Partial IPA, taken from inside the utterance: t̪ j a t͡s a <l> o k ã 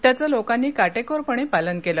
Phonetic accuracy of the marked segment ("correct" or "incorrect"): correct